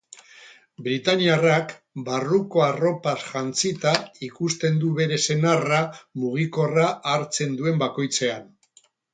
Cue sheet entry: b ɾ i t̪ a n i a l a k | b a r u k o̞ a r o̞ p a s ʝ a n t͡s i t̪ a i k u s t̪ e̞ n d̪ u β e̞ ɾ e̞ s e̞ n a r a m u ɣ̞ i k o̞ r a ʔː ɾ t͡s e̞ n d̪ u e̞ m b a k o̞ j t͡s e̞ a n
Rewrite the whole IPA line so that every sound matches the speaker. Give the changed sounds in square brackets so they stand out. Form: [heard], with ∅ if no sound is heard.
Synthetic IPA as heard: b ɾ i t̪ a n i a [r] a k | b a r u k o̞ a r o̞ p a s ʝ a n t͡s i t̪ a i k u s t̪ e̞ n d̪ u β e̞ ɾ e̞ s e̞ n a r a m u ɣ̞ i k o̞ r a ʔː ɾ t͡s e̞ n d̪ u e̞ m b a k o̞ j t͡s e̞ a n

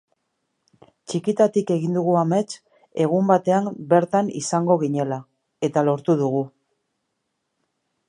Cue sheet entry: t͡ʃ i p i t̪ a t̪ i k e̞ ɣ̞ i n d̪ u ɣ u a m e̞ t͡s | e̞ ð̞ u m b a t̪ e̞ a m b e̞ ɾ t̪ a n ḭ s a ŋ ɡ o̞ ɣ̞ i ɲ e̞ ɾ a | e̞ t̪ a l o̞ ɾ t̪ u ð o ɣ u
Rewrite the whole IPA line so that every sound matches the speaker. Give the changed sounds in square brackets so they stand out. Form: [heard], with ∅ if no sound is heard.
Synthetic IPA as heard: t͡ʃ i [k] i t̪ a t̪ i k e̞ ɣ̞ i n d̪ u ɣ u a m e̞ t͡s | e̞ [ɣ̞] u m b a t̪ e̞ a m b e̞ ɾ t̪ a n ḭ s a ŋ ɡ o̞ ɣ̞ i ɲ e̞ [l] a | e̞ t̪ a l o̞ ɾ t̪ u ð [u] ɣ u

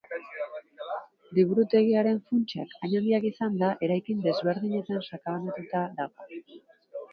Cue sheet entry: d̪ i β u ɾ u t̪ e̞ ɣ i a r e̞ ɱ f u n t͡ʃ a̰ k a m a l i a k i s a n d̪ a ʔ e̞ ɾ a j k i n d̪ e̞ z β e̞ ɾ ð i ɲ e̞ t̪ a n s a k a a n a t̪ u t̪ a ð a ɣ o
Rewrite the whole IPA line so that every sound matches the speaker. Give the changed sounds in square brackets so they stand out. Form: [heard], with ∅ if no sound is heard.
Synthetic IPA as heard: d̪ i β u ɾ u t̪ e̞ ɣ i a [ɾ] e̞ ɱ f u n t͡ʃ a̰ k a [ɲ] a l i a k i s a n d̪ a ʔ e̞ ɾ a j k i n d̪ e̞ z β e̞ ɾ ð i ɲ e̞ t̪ a n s a k a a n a t̪ u t̪ a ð a ɣ o

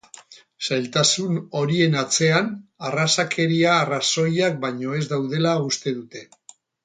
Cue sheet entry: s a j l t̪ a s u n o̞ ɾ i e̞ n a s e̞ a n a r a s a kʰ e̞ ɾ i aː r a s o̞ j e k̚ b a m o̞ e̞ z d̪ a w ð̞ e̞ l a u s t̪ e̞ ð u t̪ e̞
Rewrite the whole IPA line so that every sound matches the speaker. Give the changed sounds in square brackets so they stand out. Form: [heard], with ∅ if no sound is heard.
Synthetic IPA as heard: s a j l t̪ a s u n o̞ ɾ i e̞ n a [t͡s] e̞ a n a r a s a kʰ e̞ ɾ i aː r a s o̞ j [a] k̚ b a [ɲ] o̞ e̞ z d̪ a w ð̞ e̞ l a u s t̪ e̞ ð u t̪ e̞

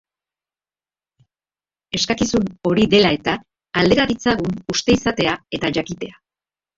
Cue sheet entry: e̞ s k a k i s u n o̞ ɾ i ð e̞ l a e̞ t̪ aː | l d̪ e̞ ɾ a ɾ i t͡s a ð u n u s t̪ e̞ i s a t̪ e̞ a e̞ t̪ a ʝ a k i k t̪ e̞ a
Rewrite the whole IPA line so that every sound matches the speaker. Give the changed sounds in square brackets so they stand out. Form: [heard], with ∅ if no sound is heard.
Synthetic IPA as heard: e̞ s k a k i s u n o̞ ɾ i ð e̞ l a e̞ t̪ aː | l d̪ e̞ ɾ a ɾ i t͡s a [ɣ] u n u s t̪ e̞ i s a t̪ e̞ a e̞ t̪ a ʝ a k i [∅] t̪ e̞ a

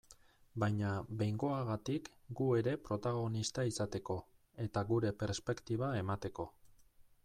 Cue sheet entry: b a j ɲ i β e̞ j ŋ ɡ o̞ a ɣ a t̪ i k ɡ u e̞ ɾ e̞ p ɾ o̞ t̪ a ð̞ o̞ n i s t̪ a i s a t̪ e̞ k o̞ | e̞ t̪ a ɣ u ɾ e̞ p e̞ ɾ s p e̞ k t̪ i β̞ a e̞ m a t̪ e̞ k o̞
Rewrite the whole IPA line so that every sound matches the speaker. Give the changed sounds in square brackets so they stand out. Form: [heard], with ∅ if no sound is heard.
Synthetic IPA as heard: b a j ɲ [a] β e̞ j ŋ ɡ o̞ a ɣ a t̪ i k ɡ u e̞ ɾ e̞ p ɾ o̞ t̪ a [ɣ̞] o̞ n i s t̪ a i s a t̪ e̞ k o̞ | e̞ t̪ a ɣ u ɾ e̞ p e̞ ɾ s p e̞ k t̪ i β̞ a e̞ m a t̪ e̞ k o̞

